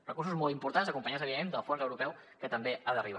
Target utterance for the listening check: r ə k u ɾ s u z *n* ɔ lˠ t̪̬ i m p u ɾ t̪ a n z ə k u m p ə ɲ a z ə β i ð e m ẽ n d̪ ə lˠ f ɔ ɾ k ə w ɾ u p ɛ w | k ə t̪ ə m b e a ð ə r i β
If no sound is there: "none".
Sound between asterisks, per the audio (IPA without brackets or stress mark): m